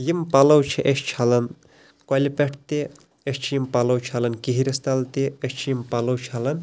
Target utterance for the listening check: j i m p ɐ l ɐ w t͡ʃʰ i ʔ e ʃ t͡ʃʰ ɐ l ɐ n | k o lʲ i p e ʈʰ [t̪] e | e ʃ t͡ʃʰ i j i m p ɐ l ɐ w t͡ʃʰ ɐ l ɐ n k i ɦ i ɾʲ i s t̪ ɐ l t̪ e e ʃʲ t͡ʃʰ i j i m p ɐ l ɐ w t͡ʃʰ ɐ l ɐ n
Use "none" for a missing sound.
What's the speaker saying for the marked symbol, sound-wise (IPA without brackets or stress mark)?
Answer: t̪